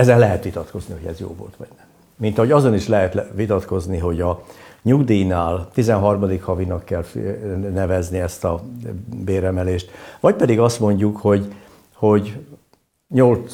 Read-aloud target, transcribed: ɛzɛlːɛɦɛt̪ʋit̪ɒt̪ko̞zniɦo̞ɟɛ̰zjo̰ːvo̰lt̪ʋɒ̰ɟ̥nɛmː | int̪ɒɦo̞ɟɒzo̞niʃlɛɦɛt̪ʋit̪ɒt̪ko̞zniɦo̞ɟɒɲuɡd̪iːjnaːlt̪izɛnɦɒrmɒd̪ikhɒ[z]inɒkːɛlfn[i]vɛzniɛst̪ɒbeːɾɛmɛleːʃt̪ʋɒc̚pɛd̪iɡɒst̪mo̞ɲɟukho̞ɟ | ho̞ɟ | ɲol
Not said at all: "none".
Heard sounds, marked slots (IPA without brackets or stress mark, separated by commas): v, ɛ